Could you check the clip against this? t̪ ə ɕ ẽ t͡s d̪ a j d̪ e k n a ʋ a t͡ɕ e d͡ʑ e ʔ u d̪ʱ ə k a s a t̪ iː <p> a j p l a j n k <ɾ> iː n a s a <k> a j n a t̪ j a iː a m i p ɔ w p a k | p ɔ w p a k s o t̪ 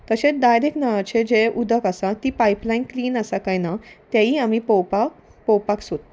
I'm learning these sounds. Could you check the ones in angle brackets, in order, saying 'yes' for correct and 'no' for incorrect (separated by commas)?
yes, no, yes